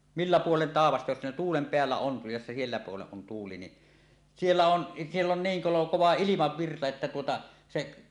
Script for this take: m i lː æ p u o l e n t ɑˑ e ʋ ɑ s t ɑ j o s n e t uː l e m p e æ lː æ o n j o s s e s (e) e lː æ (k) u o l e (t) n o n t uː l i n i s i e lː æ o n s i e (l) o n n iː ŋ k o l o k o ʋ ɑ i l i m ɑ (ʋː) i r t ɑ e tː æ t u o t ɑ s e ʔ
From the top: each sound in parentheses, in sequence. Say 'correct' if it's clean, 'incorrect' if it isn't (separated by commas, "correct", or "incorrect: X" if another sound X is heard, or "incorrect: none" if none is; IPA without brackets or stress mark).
incorrect: i, incorrect: p, incorrect: none, incorrect: lː, correct